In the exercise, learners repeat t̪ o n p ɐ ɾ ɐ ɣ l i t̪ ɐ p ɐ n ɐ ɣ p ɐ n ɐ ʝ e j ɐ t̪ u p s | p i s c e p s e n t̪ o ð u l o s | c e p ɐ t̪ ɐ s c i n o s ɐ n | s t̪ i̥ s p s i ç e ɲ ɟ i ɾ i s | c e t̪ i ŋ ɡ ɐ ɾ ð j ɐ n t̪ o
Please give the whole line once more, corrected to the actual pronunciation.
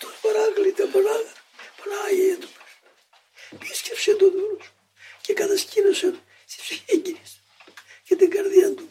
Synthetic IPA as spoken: t̪ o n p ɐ ɾ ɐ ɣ l i t̪ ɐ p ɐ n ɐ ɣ p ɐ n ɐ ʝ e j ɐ t̪ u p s | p i s c e p s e n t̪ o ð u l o s | c e k ɐ t̪ ɐ s c i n o s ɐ n | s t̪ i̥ s p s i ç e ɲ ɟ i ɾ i s | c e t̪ i ŋ ɡ ɐ ɾ ð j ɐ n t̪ u